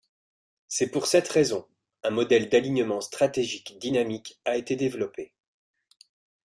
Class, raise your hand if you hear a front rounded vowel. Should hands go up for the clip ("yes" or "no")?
no